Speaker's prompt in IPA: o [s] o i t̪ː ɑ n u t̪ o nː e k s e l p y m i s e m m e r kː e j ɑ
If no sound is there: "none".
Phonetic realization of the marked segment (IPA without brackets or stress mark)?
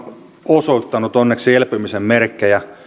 s